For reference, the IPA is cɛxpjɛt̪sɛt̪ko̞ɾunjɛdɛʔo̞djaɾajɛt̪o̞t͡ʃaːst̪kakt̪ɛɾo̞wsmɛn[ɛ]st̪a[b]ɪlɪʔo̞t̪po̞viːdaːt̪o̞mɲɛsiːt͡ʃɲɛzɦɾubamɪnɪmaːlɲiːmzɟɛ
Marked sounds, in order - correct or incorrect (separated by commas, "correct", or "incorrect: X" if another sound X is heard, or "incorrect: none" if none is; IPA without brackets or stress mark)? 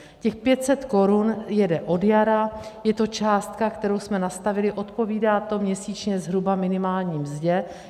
incorrect: a, incorrect: v